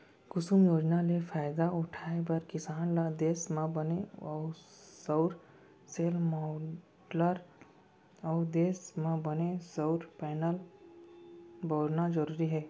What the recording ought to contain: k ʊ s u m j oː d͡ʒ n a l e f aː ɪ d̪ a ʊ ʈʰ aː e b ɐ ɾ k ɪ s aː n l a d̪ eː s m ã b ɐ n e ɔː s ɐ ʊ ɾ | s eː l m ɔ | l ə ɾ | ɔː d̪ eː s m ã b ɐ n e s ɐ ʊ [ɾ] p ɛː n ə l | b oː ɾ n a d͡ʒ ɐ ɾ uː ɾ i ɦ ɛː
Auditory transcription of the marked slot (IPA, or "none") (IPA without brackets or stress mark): ɾ